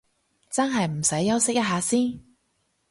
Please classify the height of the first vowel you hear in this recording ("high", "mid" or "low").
low